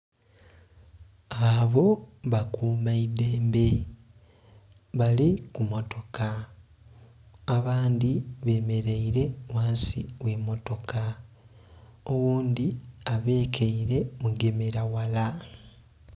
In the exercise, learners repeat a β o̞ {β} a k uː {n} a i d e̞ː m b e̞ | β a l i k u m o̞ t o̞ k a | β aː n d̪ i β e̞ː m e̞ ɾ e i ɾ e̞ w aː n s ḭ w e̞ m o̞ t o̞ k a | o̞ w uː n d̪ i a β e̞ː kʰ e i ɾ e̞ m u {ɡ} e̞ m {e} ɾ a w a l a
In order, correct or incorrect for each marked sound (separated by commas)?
correct, incorrect, correct, correct